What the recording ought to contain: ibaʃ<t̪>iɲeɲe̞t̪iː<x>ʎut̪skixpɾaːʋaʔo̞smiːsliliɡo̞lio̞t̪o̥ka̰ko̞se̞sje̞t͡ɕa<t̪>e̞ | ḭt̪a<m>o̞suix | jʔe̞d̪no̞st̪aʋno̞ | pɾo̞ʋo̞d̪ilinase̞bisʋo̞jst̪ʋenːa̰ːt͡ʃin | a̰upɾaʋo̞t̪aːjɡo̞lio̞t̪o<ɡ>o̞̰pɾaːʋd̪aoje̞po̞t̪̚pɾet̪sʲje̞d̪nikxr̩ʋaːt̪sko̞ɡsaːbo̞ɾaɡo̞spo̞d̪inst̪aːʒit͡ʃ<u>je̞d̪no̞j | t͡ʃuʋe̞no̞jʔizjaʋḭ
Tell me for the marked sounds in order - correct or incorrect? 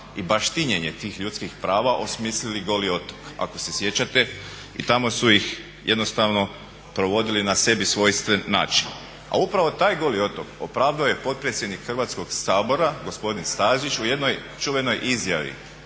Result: correct, correct, correct, correct, incorrect: k, correct

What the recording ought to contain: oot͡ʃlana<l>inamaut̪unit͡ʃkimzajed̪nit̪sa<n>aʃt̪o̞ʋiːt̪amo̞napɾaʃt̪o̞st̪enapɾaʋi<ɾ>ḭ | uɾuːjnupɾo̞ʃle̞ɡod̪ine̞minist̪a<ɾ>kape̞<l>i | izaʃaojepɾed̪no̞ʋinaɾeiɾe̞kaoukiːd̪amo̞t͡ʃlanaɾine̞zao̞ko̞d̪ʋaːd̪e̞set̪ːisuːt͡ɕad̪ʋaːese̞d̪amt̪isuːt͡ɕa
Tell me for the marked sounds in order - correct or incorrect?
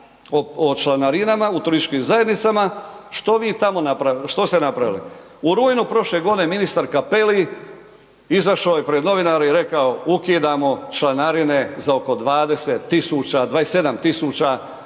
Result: incorrect: ɾ, incorrect: m, incorrect: l, correct, correct

